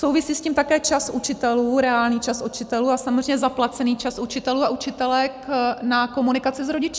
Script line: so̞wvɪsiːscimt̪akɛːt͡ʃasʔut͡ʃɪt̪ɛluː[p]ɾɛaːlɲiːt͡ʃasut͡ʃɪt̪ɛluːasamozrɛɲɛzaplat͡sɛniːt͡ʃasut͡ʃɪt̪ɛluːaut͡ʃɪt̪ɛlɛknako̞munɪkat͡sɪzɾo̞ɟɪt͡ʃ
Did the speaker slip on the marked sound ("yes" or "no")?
yes